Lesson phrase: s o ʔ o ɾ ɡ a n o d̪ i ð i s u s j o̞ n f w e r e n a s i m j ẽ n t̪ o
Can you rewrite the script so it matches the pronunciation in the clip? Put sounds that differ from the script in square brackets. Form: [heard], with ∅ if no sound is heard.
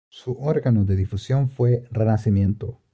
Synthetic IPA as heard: s [u] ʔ o ɾ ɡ a n o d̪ [e] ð i [f] u s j o̞ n f w e r e n a s i m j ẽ n t̪ o